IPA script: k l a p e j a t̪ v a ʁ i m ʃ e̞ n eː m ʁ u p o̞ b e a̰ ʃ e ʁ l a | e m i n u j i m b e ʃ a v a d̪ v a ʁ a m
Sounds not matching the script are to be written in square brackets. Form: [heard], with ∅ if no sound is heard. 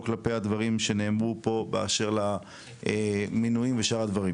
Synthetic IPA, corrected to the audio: k l a p e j a [d̪] v a ʁ i m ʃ e̞ n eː m ʁ u p o̞ b e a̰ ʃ e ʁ l a | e m i n u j i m [v] e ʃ a [ʁ] a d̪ v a ʁ [i] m